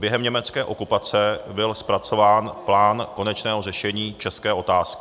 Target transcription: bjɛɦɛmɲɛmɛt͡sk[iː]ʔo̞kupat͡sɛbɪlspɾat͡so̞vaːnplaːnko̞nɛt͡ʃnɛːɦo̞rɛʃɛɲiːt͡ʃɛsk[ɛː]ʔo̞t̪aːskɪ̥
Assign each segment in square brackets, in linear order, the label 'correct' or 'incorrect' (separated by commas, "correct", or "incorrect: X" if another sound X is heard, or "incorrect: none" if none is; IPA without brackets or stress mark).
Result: incorrect: ɛː, correct